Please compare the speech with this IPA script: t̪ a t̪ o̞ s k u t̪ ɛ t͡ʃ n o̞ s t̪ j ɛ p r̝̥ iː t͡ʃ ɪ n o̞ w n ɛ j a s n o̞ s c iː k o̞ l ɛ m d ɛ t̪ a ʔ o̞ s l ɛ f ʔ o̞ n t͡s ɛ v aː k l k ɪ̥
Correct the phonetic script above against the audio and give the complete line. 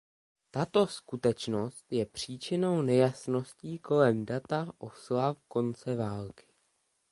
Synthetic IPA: t̪ a t̪ o̞ s k u t̪ ɛ t͡ʃ n o̞ s t̪ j ɛ p r̝̥ iː t͡ʃ ɪ n o̞ w n ɛ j a s n o̞ s c iː k o̞ l ɛ m d a t̪ a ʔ o̞ s l a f k o̞ n t͡s ɛ v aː l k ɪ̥